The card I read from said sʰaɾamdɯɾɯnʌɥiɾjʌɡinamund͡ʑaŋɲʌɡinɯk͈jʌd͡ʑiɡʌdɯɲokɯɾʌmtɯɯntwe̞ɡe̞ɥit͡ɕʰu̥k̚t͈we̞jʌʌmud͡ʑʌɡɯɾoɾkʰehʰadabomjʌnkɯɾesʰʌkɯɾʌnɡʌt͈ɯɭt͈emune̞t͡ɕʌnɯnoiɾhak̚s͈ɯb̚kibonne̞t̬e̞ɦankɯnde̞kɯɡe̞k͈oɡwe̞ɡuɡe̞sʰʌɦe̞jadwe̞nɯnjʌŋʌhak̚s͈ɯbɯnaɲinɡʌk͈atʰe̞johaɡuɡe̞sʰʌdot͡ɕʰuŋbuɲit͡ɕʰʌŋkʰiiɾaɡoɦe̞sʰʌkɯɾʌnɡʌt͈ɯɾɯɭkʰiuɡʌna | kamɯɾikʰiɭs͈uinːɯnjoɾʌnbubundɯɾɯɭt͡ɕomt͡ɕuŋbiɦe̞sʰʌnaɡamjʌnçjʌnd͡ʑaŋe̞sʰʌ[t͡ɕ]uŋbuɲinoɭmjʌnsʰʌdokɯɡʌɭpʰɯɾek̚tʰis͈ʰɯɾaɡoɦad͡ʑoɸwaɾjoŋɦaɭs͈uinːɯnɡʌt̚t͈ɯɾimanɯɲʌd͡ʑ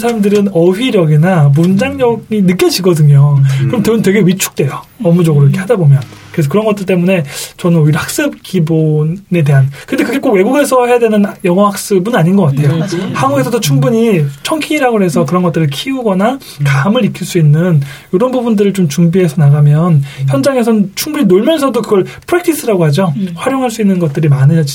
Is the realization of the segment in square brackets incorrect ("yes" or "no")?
yes